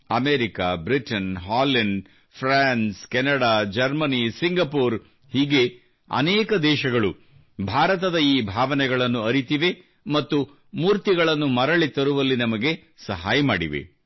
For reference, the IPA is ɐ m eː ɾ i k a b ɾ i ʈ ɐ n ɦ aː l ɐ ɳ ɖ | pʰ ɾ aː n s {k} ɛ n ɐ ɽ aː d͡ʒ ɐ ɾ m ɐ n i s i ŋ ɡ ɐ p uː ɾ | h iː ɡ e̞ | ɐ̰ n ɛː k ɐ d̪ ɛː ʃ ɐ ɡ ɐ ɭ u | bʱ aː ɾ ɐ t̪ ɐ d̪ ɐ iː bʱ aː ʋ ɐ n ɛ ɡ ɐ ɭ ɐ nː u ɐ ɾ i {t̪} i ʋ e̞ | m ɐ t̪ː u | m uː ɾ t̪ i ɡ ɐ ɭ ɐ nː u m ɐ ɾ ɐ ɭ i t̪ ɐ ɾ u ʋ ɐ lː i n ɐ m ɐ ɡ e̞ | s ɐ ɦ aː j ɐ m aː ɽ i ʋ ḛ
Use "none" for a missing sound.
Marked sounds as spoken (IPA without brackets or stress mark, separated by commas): k, t̪